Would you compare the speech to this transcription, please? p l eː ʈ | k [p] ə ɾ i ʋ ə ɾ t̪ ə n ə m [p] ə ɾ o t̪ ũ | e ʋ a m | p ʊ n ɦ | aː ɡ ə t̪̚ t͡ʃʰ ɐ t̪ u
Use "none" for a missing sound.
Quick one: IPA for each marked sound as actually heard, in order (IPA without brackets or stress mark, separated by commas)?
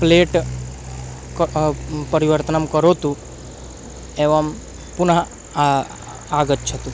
p, k